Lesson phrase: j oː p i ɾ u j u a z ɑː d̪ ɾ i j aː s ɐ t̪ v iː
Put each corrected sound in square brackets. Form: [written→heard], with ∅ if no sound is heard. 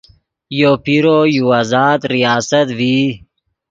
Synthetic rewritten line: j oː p i ɾ [u→o] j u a z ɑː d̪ ɾ i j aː s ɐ t̪ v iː